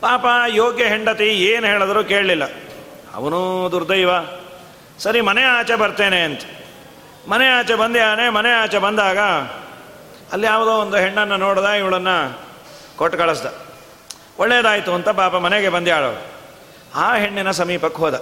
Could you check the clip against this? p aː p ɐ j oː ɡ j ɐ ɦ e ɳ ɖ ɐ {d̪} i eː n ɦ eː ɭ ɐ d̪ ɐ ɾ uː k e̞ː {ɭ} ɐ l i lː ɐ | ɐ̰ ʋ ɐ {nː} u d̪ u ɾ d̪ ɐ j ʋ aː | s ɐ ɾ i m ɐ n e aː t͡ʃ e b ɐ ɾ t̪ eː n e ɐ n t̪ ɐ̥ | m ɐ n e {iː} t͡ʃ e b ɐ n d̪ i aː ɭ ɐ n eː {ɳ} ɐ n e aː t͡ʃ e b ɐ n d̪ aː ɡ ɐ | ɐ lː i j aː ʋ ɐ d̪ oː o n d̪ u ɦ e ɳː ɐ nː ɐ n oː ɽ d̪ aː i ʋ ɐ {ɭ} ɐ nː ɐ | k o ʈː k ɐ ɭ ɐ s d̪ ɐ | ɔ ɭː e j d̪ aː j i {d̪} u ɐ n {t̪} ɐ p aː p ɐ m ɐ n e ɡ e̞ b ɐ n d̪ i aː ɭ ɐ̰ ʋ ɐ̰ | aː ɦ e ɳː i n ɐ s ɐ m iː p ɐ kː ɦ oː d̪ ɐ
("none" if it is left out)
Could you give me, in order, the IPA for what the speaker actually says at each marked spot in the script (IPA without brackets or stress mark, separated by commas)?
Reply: t̪, ɭ, n, aː, m, ɭ, t̪, t̪